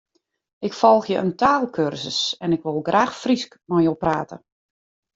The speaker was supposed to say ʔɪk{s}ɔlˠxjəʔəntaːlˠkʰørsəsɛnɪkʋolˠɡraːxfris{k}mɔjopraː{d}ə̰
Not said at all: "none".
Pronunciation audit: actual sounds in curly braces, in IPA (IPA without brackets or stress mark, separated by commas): f, k, t